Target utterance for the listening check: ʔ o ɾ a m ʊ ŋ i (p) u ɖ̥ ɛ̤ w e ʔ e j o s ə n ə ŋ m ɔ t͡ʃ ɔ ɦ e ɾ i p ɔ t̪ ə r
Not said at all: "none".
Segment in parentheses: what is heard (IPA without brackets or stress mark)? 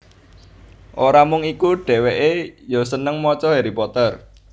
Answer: k